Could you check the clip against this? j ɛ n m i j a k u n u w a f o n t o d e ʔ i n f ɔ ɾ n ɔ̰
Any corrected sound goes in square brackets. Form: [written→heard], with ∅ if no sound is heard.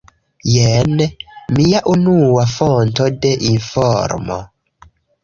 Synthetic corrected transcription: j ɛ n m i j a [k→ʔ] u n u w a f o n t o d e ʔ i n f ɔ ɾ [n→m] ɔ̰